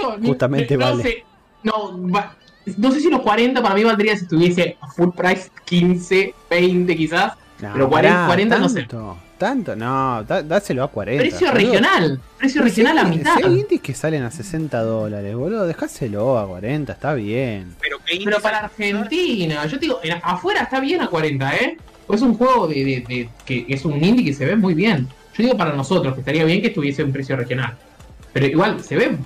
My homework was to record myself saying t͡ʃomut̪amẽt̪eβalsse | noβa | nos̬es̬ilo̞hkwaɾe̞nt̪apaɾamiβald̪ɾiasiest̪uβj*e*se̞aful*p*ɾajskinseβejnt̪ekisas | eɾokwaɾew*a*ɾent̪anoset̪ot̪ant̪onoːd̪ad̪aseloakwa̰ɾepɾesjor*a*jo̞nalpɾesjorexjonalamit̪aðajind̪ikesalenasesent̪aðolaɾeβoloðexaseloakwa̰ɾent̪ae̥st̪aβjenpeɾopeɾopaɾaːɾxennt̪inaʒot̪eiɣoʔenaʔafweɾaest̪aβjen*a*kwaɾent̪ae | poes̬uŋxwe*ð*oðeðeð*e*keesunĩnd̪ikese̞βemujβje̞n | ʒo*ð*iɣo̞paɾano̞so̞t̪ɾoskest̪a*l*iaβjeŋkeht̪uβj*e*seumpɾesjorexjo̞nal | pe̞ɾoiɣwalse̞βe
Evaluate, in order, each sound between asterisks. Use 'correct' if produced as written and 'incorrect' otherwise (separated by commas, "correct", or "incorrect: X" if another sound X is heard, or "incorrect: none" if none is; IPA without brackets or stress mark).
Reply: correct, correct, correct, incorrect: e, correct, incorrect: ɣ, correct, correct, incorrect: ɾ, correct